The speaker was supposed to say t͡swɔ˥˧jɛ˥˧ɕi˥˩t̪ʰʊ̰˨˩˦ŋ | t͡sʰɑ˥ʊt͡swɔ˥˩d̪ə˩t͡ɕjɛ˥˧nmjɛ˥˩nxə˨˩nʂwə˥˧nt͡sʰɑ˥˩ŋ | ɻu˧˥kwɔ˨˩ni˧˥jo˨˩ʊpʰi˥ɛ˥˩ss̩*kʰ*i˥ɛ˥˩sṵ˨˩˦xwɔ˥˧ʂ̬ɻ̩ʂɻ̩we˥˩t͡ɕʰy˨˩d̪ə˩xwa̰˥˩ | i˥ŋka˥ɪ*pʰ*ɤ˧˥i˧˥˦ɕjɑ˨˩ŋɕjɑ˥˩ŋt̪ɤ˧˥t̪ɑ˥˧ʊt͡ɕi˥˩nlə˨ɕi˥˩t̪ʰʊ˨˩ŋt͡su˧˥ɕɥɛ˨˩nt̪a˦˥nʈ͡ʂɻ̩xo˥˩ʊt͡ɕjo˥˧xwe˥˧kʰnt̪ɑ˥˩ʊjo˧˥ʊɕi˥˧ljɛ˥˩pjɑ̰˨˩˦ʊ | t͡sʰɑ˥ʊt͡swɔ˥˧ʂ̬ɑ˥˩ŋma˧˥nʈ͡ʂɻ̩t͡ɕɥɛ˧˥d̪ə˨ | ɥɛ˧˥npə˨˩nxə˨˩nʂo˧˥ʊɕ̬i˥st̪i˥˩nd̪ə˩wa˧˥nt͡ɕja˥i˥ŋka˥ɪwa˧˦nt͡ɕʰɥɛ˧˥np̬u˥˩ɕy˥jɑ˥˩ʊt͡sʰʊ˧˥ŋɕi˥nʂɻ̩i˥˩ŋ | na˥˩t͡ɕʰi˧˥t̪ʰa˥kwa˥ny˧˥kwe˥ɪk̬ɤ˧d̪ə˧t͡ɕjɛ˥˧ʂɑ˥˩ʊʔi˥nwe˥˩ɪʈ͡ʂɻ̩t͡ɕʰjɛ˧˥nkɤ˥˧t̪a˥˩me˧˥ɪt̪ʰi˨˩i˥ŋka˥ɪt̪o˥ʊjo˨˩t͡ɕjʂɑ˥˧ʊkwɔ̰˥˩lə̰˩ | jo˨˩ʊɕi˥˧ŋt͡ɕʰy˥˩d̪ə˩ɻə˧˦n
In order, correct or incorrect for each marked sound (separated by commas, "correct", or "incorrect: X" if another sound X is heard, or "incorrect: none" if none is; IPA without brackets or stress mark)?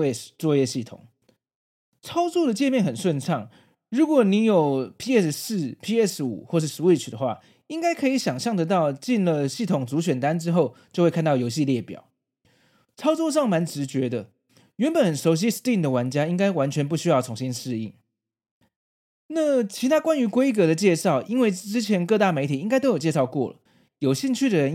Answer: incorrect: pʰ, incorrect: kʰ